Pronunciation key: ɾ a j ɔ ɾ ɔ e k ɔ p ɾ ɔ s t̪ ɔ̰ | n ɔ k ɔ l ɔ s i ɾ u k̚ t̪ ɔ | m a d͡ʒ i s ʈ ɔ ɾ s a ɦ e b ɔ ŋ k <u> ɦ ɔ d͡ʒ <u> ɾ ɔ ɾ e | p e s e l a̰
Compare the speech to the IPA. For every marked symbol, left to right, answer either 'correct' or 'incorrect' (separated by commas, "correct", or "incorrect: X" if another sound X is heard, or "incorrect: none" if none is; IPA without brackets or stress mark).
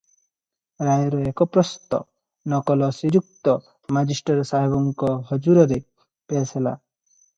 incorrect: ɔ, correct